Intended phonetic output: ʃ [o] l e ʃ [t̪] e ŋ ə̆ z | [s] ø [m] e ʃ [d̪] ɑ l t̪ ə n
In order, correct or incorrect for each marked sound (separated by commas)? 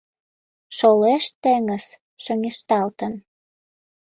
correct, correct, incorrect, incorrect, incorrect